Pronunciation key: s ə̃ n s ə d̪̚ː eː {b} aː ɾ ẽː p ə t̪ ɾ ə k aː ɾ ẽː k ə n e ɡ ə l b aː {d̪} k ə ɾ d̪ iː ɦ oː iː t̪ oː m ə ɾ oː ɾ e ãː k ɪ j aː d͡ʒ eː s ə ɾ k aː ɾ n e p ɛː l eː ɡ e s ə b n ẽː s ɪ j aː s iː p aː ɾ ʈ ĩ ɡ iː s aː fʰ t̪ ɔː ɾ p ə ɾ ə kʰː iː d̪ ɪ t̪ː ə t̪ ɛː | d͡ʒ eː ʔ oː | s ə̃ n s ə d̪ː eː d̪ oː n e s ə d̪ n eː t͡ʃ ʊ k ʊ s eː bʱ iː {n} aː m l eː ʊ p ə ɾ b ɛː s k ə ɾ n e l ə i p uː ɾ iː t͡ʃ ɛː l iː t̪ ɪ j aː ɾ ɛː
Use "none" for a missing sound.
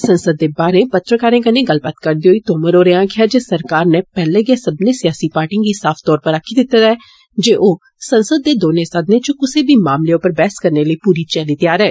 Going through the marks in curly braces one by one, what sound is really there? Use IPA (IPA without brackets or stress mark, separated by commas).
b, t̪, m